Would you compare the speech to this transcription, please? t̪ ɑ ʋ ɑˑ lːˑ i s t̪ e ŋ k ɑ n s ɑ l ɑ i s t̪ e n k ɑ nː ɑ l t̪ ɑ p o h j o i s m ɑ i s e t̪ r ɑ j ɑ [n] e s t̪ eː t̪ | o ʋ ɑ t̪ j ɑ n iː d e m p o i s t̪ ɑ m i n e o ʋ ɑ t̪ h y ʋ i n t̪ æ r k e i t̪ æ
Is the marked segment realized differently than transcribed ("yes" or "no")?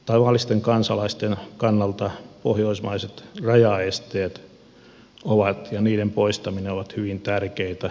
yes